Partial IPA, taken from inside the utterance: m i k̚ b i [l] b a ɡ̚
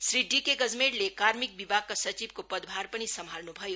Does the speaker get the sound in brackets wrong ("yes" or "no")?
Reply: yes